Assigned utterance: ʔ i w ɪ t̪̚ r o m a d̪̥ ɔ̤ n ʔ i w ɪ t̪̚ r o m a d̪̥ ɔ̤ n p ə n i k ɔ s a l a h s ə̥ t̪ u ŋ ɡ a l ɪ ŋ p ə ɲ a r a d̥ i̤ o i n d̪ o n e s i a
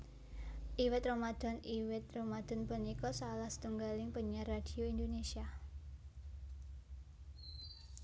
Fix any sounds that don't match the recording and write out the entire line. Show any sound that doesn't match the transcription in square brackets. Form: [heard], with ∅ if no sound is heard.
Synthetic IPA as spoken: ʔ i w ɪ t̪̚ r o m a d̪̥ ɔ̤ n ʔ i w ɪ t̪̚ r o m a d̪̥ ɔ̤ n p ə n i k ɔ s a l a h s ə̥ t̪ u ŋ ɡ a l ɪ ŋ p ə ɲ a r a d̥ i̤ o i n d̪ o n e s i a